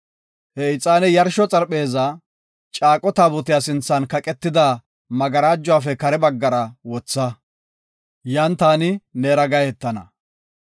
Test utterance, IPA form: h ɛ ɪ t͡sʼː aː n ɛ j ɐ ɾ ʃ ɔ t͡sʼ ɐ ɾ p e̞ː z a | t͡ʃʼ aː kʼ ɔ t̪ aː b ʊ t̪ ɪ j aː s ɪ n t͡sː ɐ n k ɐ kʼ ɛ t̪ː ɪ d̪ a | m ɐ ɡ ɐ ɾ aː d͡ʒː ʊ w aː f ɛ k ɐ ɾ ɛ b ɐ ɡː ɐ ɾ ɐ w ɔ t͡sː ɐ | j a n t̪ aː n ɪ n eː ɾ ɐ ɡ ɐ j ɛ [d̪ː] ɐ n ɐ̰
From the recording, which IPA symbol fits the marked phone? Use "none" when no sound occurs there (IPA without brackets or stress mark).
t̪ː